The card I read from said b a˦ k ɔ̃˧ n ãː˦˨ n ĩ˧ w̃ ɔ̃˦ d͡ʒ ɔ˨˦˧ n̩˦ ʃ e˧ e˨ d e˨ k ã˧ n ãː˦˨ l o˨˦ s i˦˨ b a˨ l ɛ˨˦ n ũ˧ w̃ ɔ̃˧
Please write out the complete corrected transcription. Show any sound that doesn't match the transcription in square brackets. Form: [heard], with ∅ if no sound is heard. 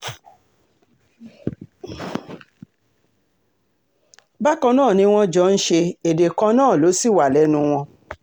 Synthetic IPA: b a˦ k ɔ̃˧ n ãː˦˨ n ĩ˧ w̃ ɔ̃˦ d͡ʒ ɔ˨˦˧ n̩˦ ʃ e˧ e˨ d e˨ k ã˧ n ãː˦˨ l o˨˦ s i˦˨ [w] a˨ l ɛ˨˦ n ũ˧ w̃ ɔ̃˧